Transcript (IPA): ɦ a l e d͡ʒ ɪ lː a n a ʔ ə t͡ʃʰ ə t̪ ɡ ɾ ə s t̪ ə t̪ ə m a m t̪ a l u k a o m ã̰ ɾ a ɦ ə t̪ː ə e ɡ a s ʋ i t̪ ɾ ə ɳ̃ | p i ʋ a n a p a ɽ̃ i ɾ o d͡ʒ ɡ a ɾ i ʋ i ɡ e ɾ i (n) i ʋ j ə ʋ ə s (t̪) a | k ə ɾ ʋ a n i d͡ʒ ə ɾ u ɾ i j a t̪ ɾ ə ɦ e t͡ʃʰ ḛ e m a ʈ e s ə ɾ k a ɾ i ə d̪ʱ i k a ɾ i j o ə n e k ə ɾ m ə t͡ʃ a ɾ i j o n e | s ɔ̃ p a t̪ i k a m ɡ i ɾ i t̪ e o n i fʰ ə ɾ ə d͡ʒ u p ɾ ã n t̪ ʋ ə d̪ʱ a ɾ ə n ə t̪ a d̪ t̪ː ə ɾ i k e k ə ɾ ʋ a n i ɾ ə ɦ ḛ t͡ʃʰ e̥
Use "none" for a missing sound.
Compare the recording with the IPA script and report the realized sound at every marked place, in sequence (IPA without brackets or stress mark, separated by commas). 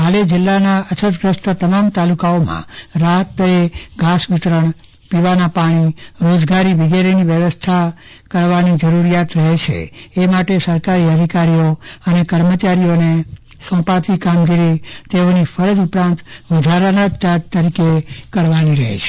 n, t̪ʰ